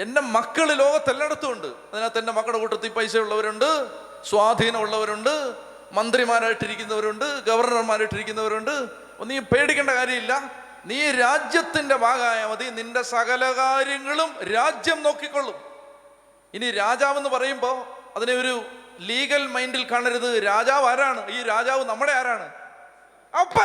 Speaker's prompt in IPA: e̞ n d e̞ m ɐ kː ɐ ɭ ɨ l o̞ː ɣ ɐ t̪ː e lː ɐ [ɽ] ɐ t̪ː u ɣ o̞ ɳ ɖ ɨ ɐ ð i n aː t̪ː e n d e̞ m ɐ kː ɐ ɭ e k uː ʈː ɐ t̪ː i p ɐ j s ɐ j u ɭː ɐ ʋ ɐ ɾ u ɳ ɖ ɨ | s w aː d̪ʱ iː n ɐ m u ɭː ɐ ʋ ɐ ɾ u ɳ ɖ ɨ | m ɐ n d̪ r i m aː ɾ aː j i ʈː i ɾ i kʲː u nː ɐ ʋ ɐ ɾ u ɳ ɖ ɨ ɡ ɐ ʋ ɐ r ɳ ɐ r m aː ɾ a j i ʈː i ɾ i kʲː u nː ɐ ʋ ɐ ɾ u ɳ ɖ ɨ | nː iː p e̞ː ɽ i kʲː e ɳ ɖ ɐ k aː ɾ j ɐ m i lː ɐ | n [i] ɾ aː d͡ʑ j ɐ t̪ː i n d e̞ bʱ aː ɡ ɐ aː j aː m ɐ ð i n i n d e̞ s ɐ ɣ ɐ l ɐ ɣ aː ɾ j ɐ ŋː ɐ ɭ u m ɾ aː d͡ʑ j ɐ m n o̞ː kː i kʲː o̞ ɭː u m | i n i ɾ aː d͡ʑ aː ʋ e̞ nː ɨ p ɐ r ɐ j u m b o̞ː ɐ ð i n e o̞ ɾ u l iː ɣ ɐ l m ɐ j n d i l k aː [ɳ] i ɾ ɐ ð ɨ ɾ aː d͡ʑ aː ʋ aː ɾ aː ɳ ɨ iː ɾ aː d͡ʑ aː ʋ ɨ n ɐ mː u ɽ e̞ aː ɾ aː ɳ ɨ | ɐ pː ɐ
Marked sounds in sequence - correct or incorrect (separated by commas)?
correct, incorrect, correct